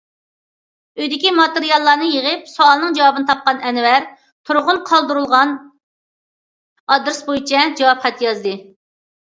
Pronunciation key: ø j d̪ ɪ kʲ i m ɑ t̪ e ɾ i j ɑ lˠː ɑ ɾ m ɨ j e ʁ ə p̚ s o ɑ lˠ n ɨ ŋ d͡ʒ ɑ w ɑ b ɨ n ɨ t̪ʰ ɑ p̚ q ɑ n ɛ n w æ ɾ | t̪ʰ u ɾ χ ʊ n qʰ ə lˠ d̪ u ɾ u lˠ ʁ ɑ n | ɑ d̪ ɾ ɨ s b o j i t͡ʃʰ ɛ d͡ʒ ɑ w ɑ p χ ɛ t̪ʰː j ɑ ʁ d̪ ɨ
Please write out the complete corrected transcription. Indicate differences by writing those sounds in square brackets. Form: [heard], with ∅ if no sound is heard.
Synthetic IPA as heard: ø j d̪ ɪ kʲ i m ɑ t̪ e ɾ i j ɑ lˠː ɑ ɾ [n] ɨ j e ʁ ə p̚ s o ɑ lˠ n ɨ ŋ d͡ʒ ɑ w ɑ b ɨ n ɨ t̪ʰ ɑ p̚ q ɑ n ɛ n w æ ɾ | t̪ʰ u ɾ [ʁ] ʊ n qʰ [ɑ] lˠ d̪ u ɾ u lˠ ʁ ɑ n | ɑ d̪ ɾ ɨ s b o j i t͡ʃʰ ɛ d͡ʒ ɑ w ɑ p χ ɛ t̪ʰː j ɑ [z] d̪ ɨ